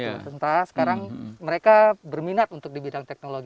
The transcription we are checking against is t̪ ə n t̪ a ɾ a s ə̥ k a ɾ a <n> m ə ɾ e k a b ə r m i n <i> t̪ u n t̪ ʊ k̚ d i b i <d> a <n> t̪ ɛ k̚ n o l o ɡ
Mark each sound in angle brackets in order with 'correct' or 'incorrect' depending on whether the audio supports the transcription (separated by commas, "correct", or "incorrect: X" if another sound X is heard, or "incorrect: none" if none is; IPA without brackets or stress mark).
incorrect: ŋ, incorrect: a, correct, incorrect: ŋ